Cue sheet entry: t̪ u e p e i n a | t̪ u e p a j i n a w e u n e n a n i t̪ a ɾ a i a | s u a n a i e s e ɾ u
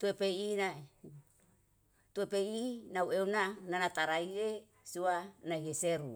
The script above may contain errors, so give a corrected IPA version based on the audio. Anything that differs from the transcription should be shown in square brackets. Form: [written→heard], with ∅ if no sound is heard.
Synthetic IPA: t̪ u e p e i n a | t̪ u e p [a→e] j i n a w e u n [e→a] n a n [i→a] t̪ a ɾ a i [a→e] | s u a n a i e s e ɾ u